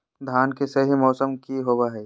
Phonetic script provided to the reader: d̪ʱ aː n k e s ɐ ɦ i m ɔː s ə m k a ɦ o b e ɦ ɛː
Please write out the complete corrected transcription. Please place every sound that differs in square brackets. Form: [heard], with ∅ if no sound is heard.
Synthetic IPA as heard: d̪ʱ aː n k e s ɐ ɦ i m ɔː s ə m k [i] ɦ o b [a] ɦ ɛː